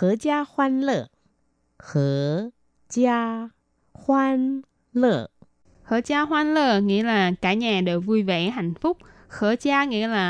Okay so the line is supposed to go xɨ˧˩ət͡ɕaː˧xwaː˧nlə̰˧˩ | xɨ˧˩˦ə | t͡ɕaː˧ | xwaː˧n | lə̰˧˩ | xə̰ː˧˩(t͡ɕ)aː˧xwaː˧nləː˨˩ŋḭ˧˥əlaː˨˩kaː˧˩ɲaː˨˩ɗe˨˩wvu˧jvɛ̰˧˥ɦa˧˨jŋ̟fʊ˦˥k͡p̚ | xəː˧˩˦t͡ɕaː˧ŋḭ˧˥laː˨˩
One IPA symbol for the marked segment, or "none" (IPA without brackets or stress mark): t͡ɕ